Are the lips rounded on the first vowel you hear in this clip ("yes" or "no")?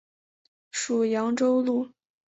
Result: yes